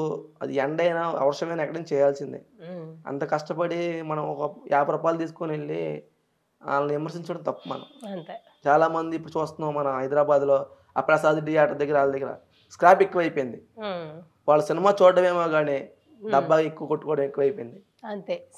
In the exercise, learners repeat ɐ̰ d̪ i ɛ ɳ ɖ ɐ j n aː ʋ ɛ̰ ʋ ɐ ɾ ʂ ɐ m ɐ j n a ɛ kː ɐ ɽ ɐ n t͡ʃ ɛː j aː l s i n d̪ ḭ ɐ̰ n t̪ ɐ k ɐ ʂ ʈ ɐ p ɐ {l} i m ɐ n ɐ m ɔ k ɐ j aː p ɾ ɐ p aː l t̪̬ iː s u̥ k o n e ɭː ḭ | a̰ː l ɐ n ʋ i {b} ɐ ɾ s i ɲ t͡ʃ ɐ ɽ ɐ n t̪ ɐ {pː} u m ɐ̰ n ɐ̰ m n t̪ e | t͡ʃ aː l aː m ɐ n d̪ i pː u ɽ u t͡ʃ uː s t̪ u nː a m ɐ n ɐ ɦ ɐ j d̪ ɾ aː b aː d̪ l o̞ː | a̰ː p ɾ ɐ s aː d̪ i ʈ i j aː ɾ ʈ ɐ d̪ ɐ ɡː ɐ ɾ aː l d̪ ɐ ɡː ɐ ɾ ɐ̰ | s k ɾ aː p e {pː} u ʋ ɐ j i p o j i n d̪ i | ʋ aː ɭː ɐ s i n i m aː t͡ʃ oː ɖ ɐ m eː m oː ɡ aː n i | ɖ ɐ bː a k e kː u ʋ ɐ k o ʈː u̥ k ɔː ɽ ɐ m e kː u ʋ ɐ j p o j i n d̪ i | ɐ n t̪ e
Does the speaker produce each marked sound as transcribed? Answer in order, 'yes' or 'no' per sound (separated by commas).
no, no, yes, no